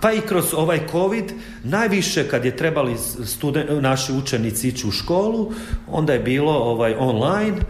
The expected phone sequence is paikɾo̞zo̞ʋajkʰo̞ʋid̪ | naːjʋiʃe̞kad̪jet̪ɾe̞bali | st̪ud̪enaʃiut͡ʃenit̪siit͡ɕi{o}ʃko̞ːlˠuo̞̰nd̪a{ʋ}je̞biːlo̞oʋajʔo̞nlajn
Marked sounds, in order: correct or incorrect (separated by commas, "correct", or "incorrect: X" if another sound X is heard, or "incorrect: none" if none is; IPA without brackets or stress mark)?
incorrect: u, incorrect: none